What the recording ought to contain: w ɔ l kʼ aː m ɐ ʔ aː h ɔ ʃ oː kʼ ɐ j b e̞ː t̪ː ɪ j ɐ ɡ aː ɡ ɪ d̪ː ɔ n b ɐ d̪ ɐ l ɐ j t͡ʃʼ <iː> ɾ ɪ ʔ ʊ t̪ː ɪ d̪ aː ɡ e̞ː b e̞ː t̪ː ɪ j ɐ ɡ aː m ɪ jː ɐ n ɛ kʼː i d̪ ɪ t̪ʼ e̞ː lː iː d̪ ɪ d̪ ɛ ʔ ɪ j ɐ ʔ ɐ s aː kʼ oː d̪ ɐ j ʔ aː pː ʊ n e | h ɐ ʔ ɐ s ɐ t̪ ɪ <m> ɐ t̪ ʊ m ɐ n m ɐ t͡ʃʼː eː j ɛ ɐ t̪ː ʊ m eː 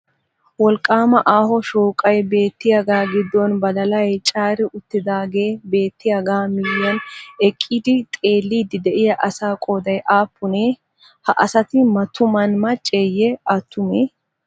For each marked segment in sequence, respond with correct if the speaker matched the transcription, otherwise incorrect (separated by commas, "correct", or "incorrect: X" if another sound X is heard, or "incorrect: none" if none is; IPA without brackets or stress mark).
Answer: incorrect: aː, correct